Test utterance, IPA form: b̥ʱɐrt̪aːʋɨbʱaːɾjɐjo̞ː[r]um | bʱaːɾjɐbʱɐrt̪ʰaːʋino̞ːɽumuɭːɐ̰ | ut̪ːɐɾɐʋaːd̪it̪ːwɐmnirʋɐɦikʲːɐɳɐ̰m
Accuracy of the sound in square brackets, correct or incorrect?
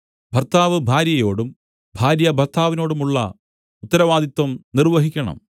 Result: incorrect